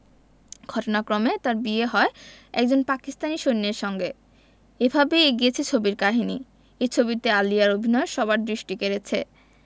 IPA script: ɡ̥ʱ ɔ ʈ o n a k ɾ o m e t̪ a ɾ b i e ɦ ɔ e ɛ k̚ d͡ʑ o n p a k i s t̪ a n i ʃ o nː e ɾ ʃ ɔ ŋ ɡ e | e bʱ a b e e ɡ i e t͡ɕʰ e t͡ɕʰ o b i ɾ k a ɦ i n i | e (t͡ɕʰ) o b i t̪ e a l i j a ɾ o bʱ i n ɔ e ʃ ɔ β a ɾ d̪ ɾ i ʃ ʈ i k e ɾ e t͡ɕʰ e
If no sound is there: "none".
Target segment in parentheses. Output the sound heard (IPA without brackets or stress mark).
t͡ɕʰ